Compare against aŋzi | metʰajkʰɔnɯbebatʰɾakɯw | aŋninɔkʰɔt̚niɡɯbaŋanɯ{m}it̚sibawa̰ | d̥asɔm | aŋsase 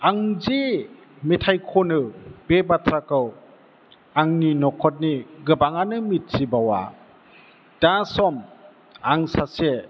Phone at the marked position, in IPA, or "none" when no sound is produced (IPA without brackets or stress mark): m